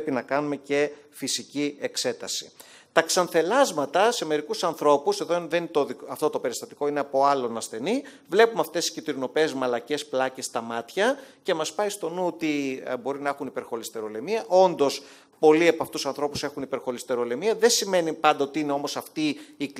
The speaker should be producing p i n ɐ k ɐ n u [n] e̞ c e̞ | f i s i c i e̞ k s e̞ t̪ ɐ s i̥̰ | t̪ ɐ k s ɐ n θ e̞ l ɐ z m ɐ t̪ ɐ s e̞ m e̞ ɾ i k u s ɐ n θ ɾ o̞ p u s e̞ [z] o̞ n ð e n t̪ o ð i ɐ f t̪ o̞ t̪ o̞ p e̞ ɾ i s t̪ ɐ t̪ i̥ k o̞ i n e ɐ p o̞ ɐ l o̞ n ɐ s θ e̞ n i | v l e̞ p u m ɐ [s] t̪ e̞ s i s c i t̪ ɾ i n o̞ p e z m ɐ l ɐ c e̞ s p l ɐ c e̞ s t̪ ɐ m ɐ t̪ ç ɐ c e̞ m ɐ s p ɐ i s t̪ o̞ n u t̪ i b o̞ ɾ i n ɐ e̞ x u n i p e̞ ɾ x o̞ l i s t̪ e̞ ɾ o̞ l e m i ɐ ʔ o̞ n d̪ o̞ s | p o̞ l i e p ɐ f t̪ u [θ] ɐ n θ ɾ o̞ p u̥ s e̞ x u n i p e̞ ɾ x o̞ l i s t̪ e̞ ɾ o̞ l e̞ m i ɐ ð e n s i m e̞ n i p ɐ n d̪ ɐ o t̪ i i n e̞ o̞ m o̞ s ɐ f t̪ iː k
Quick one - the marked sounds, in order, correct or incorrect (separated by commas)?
incorrect, incorrect, incorrect, incorrect